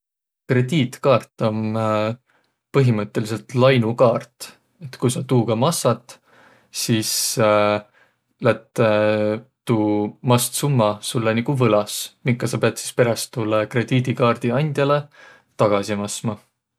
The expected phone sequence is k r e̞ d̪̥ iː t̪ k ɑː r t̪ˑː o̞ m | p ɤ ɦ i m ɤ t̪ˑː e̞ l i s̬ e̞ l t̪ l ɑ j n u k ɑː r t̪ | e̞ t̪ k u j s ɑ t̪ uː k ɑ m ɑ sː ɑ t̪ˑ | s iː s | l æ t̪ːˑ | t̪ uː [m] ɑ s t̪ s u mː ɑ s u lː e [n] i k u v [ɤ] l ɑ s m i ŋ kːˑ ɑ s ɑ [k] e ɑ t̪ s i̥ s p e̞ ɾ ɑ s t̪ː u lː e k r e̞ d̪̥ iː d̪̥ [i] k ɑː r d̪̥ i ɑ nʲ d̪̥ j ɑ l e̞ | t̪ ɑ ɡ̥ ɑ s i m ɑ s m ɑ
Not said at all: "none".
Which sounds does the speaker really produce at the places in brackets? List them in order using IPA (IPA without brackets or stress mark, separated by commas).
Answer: m, n, ɤ, p, i